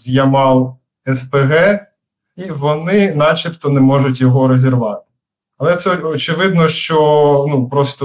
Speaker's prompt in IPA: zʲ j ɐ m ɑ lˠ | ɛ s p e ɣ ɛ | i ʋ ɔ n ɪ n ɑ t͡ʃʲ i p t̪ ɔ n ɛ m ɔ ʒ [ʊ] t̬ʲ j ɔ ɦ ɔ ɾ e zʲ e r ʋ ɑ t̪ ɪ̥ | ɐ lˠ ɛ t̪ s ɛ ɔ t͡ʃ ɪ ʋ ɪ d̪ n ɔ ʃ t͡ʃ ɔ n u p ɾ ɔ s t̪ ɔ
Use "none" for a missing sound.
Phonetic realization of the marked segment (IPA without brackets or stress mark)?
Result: ʊ